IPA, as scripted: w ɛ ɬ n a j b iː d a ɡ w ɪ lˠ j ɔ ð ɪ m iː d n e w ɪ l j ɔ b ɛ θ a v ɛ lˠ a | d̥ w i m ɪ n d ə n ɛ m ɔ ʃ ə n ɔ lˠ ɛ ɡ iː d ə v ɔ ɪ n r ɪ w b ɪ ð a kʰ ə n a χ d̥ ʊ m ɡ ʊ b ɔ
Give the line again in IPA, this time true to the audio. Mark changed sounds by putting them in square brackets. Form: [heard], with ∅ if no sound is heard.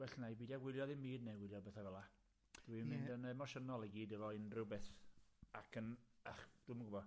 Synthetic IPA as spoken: w ɛ ɬ n a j b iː d a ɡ w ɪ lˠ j ɔ ð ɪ m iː d n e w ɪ l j ɔ b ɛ θ a v ɛ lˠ a | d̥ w i m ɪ n d ə n ɛ m ɔ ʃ ə n ɔ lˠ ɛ ɡ iː d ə v ɔ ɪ n r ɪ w b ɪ [θ] a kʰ ə n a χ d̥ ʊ m ɡ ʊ b ɔ

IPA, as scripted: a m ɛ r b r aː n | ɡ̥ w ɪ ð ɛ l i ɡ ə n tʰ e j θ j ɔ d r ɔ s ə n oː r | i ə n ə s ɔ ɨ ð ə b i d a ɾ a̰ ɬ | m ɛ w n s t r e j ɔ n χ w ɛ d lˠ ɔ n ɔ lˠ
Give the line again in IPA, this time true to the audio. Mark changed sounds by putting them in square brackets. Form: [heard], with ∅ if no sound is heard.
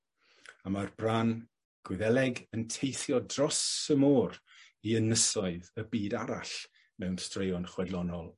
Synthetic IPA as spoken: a m [a] r b r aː n | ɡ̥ w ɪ ð ɛ l [ɛ] ɡ ə n tʰ e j θ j ɔ d r ɔ s ə [m] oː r | i ə n ə s ɔ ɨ ð ə b [iː] d a ɾ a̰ ɬ | m ɛ w n s t r e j ɔ n χ w ɛ d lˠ ɔ n ɔ lˠ

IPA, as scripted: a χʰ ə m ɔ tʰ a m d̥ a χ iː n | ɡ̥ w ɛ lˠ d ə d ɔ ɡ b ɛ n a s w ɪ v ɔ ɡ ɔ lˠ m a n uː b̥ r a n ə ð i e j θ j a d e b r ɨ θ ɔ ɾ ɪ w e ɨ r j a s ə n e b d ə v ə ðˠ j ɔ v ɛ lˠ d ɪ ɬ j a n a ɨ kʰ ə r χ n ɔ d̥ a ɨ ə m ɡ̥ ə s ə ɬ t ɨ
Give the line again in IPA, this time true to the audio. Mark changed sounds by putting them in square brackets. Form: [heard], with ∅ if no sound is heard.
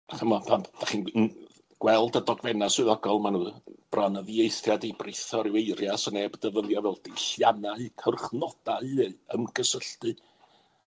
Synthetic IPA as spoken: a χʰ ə m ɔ [pʰ] a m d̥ a χ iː n | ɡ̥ w ɛ lˠ d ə d ɔ ɡ [v] ɛ n a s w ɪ [ð] ɔ ɡ ɔ lˠ m a n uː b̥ r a n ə ð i e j θ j a d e b r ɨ θ ɔ ɾ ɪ w e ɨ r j a s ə n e b d ə v ə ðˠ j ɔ v ɛ lˠ d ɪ ɬ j a n a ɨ kʰ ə r χ n ɔ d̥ a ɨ ə m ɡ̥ ə s ə ɬ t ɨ

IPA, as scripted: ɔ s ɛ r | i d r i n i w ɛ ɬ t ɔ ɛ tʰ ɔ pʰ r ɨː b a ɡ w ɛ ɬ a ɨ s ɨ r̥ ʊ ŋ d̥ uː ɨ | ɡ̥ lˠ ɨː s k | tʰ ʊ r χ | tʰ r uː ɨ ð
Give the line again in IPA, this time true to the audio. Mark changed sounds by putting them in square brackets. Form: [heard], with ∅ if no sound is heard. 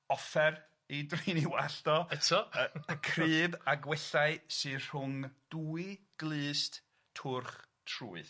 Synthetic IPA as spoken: ɔ [f] ɛ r | i d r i n i w [a] ɬ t ɔ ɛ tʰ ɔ [kʰ] r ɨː b a ɡ w ɛ ɬ a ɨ s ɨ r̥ ʊ ŋ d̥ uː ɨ | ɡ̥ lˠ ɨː s [t] | tʰ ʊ r χ | tʰ r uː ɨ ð

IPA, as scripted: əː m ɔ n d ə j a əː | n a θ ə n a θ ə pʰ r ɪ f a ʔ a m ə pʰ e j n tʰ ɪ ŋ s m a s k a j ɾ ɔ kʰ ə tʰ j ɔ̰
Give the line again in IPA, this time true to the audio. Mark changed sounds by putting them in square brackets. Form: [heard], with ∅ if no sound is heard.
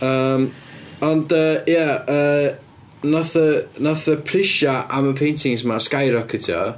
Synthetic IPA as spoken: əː m ɔ n d ə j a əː | n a θ ə n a θ ə pʰ r ɪ [ʃ] a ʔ a m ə pʰ e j n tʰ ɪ ŋ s m a s k a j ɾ ɔ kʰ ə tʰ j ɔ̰

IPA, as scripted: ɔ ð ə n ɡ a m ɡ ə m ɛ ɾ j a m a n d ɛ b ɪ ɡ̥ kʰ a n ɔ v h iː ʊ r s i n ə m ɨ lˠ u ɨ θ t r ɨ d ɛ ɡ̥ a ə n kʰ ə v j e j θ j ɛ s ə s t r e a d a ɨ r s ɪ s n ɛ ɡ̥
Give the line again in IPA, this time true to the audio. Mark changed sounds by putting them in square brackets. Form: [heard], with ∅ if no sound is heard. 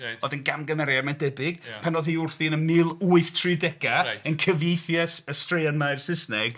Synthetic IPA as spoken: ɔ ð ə n ɡ a m ɡ ə m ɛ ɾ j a m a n d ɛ b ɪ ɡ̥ [pʰ] a n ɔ [ð] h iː ʊ r [θ] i n ə m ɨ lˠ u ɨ θ [tʰ] r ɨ d ɛ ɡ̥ a ə n kʰ ə v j e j θ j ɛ s ə s t r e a [n] a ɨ r s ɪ s n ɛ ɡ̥

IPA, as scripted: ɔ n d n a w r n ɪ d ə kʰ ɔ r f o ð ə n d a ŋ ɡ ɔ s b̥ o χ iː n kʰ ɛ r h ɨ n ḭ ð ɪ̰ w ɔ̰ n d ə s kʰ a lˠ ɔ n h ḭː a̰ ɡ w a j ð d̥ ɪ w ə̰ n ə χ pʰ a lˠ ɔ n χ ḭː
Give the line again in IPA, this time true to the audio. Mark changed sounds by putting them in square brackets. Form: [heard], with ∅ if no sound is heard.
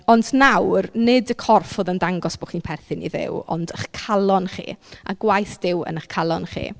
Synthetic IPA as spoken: ɔ n d n a w r n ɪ d ə kʰ ɔ r f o ð ə n d a ŋ ɡ ɔ s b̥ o χ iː n [pʰ] ɛ r [θ] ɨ n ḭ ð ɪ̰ w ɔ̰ n d ə [χ] kʰ a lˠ ɔ n [χ] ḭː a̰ ɡ w a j [θ] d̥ ɪ w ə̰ n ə χ [kʰ] a lˠ ɔ n χ ḭː

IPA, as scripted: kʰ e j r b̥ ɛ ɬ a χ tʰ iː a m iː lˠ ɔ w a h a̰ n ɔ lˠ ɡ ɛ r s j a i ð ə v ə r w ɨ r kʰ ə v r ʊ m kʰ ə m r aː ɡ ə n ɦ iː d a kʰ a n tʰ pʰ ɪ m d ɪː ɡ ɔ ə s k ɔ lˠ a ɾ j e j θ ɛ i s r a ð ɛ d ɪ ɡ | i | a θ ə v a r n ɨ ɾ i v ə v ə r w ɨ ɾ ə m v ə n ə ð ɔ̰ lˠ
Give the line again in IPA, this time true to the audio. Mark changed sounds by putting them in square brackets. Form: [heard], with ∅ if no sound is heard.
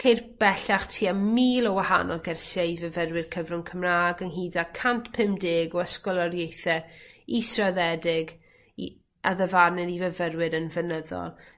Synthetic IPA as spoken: kʰ e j r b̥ ɛ ɬ a χ tʰ iː a m iː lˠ ɔ w a h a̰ n ɔ lˠ ɡ ɛ r s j a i [v] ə v ə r w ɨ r kʰ ə v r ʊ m kʰ ə m r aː ɡ ə n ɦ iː d a kʰ a n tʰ pʰ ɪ m d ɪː ɡ ɔ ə s k ɔ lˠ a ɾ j e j θ ɛ i s r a ð ɛ d ɪ ɡ | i | a [ð] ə v a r n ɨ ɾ i v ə v ə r w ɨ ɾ ə [n] v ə n ə ð ɔ̰ lˠ

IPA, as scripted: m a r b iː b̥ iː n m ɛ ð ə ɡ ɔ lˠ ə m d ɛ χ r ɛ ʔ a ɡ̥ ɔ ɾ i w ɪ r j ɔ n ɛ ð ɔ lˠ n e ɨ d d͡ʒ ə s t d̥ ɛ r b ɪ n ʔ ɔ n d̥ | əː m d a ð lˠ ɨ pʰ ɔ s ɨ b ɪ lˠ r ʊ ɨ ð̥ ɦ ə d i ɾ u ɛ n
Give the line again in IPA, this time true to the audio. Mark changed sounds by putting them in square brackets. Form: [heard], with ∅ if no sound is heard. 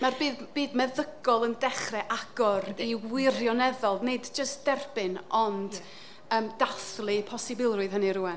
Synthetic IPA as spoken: m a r b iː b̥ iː [d] m ɛ ð ə ɡ ɔ lˠ ə [n] d ɛ χ r ɛ ʔ a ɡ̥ ɔ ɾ i w ɪ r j ɔ n ɛ ð ɔ lˠ n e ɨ d d͡ʒ ə s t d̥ ɛ r b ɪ n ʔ ɔ n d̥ | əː m d a [θ] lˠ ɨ pʰ ɔ s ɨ b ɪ lˠ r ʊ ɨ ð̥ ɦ ə [n] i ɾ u ɛ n

